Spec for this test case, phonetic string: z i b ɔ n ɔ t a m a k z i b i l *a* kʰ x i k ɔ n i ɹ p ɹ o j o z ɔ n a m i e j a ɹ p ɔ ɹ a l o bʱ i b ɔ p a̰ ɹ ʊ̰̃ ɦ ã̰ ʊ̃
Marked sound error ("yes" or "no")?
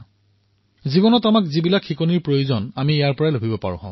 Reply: no